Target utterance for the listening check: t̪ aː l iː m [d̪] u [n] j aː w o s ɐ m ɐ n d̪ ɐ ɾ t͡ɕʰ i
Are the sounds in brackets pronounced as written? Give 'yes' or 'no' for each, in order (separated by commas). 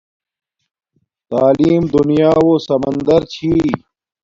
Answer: yes, yes